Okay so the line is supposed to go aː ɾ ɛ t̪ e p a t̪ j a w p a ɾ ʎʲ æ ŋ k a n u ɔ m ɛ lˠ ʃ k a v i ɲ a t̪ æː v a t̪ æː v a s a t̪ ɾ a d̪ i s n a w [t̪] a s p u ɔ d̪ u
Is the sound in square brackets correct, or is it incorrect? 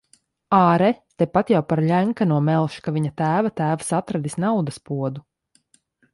incorrect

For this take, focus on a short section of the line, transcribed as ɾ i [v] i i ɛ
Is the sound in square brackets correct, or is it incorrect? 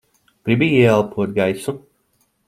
incorrect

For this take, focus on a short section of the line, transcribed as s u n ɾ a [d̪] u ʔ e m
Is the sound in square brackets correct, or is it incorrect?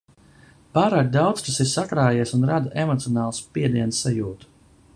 correct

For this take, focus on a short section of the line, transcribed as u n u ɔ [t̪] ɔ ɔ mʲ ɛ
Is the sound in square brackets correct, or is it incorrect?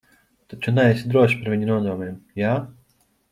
incorrect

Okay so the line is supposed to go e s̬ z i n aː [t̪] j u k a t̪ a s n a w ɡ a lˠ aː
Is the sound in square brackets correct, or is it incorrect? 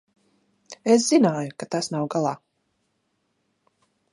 incorrect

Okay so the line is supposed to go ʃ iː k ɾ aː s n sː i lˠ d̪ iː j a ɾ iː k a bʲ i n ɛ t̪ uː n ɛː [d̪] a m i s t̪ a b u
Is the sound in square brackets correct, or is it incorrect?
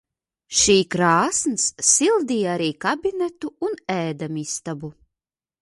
correct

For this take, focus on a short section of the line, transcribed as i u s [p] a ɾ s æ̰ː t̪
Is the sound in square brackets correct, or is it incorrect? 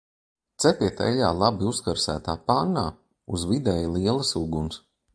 incorrect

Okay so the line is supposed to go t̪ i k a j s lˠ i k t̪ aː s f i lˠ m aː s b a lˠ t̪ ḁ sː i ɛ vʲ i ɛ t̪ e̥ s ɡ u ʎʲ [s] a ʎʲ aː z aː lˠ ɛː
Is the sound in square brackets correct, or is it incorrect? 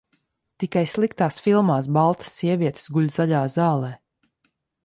incorrect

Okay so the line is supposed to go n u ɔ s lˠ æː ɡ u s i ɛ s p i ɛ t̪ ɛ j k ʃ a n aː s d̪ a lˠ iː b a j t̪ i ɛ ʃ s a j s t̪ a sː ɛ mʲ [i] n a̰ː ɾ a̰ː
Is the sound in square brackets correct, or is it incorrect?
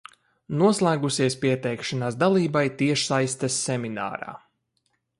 correct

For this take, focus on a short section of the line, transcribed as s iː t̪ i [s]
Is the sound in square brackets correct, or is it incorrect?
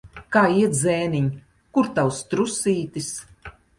correct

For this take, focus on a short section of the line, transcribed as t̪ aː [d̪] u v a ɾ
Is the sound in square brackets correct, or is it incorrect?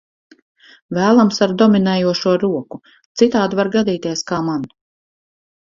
correct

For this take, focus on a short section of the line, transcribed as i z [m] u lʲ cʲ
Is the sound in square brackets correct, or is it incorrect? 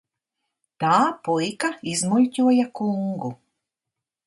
correct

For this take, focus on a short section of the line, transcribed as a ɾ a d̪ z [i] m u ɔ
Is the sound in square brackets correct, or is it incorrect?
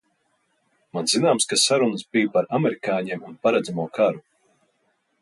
incorrect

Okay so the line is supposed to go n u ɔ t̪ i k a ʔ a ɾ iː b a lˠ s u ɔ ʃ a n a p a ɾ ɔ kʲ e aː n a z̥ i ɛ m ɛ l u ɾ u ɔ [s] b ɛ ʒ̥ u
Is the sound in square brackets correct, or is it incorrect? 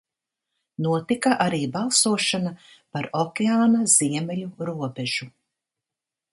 incorrect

